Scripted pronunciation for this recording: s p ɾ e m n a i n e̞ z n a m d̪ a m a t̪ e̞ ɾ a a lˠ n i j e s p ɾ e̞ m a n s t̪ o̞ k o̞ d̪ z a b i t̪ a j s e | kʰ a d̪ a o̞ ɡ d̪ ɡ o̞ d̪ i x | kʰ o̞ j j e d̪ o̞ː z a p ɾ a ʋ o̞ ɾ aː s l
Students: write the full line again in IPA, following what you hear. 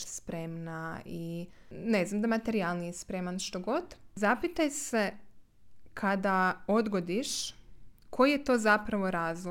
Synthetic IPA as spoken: s p ɾ e m n a i n e̞ z n a m d̪ a m a t̪ e̞ ɾ i a lˠ n i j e s p ɾ e̞ m a n ʃ t̪ o̞ ɡ o̞ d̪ z a p i t̪ a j s e | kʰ a d̪ a o̞ d̪ ɡ o̞ d̪ i ʃ | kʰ o̞ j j e t̪ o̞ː z a p ɾ a ʋ o̞ ɾ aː z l